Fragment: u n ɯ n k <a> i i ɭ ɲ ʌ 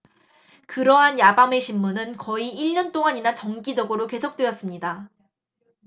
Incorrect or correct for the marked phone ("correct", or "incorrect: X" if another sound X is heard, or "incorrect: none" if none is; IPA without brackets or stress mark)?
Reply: incorrect: ʌ